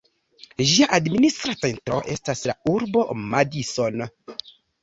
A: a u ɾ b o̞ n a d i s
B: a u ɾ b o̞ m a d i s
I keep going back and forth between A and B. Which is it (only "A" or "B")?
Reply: B